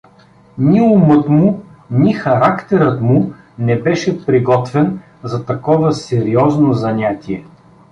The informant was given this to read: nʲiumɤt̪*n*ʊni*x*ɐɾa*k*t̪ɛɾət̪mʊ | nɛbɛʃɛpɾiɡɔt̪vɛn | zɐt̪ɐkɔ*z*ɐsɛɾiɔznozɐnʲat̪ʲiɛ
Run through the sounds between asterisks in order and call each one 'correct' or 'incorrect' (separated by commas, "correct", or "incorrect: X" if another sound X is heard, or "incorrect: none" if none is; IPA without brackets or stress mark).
incorrect: m, correct, correct, incorrect: v